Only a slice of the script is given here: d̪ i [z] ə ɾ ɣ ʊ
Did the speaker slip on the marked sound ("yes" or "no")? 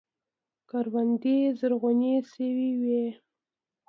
no